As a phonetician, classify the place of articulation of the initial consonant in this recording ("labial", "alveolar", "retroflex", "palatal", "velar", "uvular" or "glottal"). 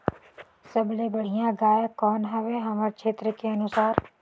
alveolar